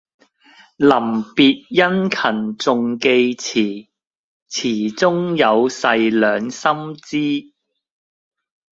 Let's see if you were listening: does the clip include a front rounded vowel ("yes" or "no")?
yes